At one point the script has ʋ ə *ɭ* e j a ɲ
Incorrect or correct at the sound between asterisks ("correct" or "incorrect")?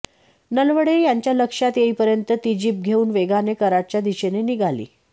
incorrect